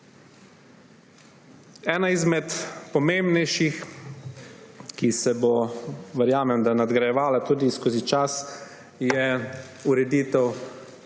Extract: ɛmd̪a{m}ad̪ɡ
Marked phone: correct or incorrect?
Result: incorrect